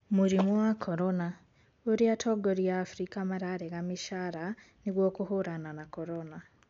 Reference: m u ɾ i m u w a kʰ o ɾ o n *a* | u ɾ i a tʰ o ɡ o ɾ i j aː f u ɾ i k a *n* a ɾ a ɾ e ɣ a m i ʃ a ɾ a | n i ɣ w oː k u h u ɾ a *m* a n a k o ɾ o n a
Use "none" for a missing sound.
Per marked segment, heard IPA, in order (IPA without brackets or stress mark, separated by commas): a, m, n